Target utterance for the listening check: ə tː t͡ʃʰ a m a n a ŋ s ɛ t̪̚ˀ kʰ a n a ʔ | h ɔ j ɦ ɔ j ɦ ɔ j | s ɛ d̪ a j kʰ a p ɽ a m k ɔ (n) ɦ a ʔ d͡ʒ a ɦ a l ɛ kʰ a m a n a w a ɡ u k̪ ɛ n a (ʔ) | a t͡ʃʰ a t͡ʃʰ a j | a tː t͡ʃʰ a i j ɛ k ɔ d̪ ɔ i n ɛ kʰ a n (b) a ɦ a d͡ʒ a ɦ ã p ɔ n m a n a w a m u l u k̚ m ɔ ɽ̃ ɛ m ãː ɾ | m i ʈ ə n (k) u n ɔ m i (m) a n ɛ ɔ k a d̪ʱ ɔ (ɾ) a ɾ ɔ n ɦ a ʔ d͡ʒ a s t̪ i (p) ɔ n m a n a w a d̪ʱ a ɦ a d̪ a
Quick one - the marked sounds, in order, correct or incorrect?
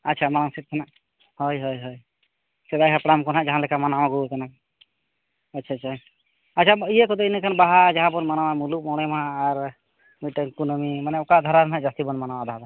correct, incorrect, correct, correct, correct, correct, incorrect

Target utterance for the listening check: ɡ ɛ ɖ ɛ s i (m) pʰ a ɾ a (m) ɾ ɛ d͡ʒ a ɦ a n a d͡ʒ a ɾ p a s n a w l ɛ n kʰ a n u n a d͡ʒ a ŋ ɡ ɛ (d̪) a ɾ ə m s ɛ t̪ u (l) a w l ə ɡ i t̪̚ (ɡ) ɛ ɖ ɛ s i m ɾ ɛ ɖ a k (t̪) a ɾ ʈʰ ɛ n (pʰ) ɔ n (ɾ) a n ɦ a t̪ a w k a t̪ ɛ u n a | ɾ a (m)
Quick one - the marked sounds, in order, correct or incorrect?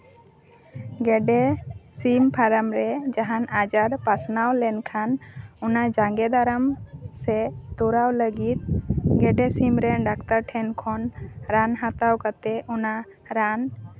correct, correct, correct, incorrect, correct, correct, incorrect, correct, incorrect

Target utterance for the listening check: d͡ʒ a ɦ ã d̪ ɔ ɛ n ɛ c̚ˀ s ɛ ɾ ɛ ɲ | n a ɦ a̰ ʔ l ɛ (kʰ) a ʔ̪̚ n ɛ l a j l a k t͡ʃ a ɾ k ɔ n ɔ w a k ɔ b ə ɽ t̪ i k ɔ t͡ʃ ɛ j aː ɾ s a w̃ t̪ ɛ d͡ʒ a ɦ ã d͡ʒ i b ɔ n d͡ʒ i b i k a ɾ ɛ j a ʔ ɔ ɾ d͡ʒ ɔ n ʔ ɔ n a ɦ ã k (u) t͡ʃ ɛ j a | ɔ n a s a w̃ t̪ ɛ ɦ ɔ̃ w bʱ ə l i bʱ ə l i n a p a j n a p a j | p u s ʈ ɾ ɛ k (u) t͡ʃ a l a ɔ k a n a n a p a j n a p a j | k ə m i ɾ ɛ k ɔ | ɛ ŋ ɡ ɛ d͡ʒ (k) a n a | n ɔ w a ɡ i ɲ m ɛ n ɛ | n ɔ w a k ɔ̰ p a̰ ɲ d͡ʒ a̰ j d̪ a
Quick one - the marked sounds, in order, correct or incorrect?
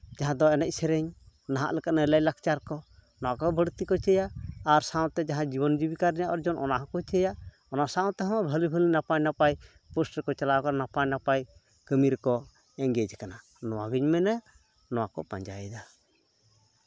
incorrect, incorrect, incorrect, correct

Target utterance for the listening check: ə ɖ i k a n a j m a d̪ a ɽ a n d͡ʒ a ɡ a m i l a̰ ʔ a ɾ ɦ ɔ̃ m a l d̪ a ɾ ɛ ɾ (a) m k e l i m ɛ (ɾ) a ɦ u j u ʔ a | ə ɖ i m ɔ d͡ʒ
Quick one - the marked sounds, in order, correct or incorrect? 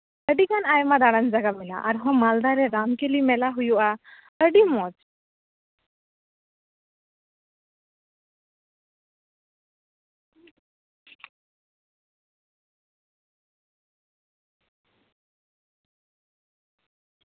correct, incorrect

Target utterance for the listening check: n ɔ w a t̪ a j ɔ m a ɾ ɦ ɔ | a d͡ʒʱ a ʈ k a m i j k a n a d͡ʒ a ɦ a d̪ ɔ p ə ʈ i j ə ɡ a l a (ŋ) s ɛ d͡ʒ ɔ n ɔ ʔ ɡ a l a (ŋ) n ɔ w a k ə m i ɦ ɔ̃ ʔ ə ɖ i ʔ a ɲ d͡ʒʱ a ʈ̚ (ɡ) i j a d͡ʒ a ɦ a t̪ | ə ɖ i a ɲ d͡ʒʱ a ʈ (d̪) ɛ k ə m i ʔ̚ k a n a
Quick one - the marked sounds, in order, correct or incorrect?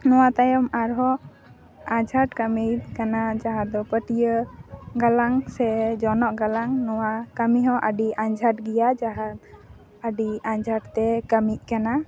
correct, correct, correct, incorrect

